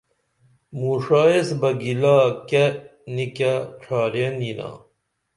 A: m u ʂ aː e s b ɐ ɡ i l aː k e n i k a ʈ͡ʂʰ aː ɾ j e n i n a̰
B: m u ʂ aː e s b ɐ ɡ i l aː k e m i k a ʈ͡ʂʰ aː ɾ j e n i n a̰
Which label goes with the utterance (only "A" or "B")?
A